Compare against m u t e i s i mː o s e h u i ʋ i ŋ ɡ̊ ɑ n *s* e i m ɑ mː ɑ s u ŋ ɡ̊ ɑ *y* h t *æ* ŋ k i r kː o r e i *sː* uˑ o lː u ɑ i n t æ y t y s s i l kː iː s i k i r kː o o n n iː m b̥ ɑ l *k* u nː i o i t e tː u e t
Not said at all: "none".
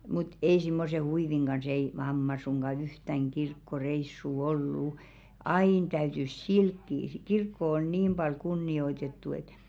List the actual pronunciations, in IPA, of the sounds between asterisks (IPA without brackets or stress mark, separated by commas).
s, y, æ, sː, k